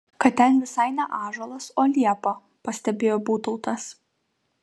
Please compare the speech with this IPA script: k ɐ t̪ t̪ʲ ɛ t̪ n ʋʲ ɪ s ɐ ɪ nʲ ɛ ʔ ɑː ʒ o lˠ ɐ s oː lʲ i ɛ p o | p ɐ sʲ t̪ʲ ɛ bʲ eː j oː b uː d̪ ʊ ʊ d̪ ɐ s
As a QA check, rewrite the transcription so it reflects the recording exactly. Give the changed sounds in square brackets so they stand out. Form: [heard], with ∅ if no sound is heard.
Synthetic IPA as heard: k ɐ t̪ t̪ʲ ɛ [∅] n ʋʲ ɪ s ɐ ɪ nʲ ɛ ʔ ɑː ʒ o lˠ ɐ s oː lʲ i ɛ p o | p ɐ sʲ t̪ʲ ɛ bʲ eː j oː b uː [t̪] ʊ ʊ [t̪] ɐ s

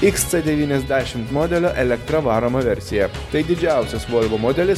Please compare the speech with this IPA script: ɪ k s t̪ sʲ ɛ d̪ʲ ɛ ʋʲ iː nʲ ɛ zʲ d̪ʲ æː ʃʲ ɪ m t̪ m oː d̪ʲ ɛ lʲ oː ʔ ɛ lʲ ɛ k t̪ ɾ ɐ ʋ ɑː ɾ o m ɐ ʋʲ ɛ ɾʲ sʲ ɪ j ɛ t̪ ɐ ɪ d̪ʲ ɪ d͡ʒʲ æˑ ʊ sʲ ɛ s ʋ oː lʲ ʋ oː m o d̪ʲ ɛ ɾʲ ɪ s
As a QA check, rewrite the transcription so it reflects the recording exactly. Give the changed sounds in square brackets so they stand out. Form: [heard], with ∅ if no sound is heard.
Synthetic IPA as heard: ɪ k s t̪ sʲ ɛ d̪ʲ ɛ ʋʲ iː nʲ ɛ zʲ d̪ʲ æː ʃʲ ɪ m t̪ m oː d̪ʲ ɛ lʲ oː ʔ ɛ lʲ ɛ k t̪ ɾ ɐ ʋ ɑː ɾ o m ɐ ʋʲ ɛ ɾʲ sʲ ɪ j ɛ t̪ ɐ ɪ d̪ʲ ɪ d͡ʒʲ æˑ ʊ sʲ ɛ s ʋ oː lʲ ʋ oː m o d̪ʲ ɛ [lʲ] ɪ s

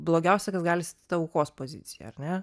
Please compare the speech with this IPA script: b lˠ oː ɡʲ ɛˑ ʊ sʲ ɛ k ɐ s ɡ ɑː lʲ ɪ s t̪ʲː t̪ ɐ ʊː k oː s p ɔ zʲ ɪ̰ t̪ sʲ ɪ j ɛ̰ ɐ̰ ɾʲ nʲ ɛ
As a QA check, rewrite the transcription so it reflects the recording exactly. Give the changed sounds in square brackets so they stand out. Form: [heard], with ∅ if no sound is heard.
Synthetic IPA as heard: b lˠ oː ɡʲ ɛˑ ʊ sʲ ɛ k ɐ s ɡ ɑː lʲ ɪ s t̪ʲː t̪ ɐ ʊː k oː s p [o] zʲ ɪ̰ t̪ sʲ ɪ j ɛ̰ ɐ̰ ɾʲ nʲ ɛ

